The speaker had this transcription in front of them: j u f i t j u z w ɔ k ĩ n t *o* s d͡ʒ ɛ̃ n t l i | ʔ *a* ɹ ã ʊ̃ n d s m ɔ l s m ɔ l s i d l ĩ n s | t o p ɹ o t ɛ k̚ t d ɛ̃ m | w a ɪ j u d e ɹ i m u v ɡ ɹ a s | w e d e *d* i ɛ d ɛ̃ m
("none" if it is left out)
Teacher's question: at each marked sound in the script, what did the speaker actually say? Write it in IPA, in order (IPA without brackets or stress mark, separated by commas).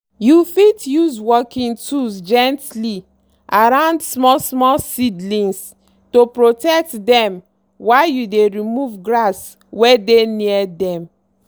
u, a, n